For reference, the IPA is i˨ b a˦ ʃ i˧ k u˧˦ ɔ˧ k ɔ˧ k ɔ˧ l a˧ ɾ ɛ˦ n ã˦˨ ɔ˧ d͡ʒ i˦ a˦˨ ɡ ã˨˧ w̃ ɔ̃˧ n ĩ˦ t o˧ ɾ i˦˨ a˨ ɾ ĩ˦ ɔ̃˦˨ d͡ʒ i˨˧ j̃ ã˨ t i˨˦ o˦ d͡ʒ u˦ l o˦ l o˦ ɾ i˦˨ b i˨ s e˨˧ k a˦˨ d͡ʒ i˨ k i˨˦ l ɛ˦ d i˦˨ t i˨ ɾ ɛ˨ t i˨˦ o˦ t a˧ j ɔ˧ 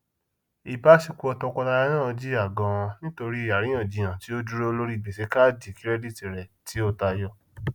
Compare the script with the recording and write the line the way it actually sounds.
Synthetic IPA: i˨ b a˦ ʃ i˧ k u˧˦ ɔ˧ t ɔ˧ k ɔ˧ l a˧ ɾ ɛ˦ n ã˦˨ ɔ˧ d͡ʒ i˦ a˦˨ ɡ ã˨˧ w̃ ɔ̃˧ n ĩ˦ t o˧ ɾ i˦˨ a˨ ɾ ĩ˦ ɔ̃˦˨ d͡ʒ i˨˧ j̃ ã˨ t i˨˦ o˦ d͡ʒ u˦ ɾ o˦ l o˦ ɾ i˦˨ b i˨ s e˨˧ k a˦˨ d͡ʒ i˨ k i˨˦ ɾ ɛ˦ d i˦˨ t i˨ ɾ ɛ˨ t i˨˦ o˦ t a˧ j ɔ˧